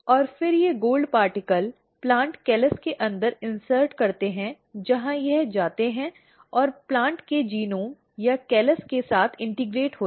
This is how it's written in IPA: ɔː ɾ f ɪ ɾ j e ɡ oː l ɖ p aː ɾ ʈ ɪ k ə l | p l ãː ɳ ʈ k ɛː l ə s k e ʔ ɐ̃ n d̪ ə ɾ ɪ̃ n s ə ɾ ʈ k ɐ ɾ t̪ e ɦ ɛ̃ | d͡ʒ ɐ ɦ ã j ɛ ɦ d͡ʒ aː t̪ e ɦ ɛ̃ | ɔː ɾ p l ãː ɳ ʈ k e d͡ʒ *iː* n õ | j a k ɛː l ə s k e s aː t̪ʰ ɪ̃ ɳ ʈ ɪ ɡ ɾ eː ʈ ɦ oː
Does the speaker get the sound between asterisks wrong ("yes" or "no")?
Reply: no